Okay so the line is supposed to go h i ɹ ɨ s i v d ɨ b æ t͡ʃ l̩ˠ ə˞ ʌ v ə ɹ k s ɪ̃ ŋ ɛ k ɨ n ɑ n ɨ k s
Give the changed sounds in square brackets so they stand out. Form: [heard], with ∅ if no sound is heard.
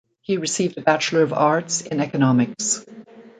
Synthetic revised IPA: h i ɹ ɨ s i v d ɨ b æ t͡ʃ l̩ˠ ə˞ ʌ v [ɑ] ɹ [t] s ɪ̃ [n] ɛ k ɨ n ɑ [m] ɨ k s